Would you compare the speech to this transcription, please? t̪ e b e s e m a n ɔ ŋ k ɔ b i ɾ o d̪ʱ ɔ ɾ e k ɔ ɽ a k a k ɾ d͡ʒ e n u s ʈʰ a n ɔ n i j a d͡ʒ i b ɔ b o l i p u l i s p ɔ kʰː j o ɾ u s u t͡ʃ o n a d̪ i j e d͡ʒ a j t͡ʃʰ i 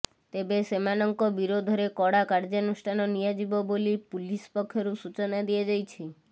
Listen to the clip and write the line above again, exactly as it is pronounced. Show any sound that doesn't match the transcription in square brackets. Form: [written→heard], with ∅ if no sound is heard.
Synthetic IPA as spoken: t̪ e b e s e m a n ɔ ŋ k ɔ b i ɾ o d̪ʱ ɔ ɾ e k ɔ ɽ a k a [k→∅] ɾ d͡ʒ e n u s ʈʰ a n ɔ n i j a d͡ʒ i b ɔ b o l i p u l i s p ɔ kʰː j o ɾ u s u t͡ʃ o n a d̪ i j e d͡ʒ a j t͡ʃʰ i